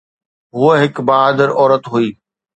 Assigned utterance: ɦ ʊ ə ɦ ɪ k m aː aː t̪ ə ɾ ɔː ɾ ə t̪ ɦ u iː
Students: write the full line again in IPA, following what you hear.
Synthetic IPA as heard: ɦ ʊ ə ɦ ɪ k b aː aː d̪ ə ɾ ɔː ɾ ə t̪ ɦ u iː